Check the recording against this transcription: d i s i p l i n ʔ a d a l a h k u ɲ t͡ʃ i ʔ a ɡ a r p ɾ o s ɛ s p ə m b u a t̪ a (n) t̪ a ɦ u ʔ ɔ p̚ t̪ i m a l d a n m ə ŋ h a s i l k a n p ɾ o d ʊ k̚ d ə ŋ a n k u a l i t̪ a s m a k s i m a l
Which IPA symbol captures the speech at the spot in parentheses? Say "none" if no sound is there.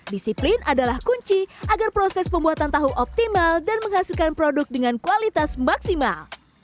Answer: n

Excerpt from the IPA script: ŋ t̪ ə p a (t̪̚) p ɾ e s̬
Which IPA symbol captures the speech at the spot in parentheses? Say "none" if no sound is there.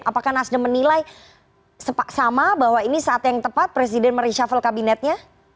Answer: t̪̚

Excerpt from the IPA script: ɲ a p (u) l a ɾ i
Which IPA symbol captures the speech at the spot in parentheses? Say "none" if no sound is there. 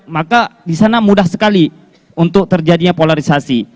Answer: o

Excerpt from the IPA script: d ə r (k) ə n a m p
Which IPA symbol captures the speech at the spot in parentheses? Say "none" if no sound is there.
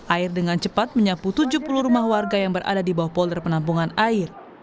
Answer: p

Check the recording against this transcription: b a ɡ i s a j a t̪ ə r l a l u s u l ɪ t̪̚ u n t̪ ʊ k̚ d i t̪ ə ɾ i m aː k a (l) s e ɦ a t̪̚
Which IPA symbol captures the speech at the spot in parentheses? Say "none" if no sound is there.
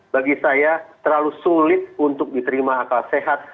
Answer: l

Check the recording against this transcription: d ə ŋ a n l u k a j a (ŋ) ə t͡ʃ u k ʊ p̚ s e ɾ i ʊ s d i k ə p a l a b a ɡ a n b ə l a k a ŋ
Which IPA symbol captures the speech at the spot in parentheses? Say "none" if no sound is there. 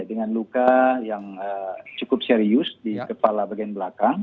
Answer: ŋ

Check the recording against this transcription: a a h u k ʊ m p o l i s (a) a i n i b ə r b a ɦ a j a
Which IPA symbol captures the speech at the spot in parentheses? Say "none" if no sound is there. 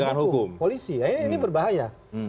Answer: i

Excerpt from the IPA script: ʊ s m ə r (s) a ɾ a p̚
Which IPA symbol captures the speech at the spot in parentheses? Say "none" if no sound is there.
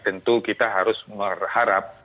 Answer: h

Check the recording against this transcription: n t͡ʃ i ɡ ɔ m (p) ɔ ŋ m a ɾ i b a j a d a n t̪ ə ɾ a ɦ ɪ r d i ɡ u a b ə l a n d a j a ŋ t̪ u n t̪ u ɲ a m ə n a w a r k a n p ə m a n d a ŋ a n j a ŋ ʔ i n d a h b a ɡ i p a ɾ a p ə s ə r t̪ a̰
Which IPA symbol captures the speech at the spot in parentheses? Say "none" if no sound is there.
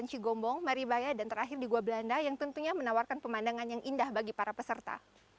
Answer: b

